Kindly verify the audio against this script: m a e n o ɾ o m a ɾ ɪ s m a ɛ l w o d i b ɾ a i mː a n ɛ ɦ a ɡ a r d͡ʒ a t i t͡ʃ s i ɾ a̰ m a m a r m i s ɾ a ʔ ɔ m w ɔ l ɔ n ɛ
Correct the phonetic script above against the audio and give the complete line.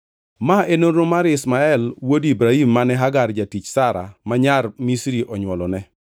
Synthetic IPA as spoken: m a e n o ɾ o m a ɾ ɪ s m a ɛ l w o d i b ɾ a i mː a n ɛ ɦ a ɡ a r d͡ʒ a t i t͡ʃ s a ɾ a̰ m a ɲ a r m i s ɾ i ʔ ɔ ɲ w ɔ l ɔ n ɛ